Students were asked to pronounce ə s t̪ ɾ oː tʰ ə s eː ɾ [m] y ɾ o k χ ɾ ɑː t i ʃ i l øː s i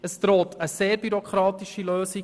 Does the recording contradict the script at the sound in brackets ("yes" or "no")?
yes